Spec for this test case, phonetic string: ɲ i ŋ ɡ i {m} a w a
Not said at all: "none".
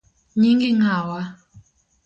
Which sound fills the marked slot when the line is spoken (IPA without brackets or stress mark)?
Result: ŋ